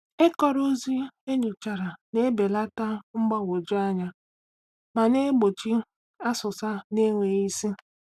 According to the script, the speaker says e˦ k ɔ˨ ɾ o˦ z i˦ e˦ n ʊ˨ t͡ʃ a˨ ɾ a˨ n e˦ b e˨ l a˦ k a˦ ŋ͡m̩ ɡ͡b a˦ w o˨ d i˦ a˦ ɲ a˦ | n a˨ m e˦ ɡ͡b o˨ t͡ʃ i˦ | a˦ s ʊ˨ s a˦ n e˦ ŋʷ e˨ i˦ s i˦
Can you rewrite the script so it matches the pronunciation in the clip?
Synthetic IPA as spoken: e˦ k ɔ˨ ɾ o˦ z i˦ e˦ ɲ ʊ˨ t͡ʃ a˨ ɾ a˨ n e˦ b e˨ l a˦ t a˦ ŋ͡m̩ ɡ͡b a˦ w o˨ d͡ʒ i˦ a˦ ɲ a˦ | m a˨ n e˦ ɡ͡b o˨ t͡ʃ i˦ | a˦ s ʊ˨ s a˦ n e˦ ŋʷ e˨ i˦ s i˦